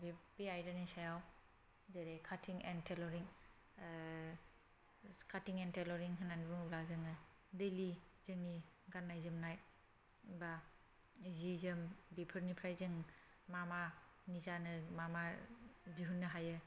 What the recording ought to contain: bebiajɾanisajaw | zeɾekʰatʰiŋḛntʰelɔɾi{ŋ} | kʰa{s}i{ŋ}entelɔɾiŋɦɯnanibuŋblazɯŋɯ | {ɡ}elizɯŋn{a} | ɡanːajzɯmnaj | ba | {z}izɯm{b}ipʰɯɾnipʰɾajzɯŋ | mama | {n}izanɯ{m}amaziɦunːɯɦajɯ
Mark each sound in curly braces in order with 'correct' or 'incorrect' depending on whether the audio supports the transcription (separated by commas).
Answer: correct, incorrect, correct, incorrect, incorrect, correct, correct, correct, correct